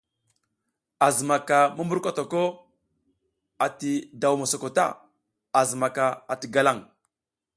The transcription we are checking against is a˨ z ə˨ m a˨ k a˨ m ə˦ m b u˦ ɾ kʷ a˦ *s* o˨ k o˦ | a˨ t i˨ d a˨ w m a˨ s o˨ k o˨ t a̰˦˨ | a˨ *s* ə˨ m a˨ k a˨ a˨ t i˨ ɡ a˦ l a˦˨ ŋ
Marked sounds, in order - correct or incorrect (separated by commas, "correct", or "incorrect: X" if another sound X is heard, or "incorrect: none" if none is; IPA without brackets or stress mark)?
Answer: incorrect: t, incorrect: z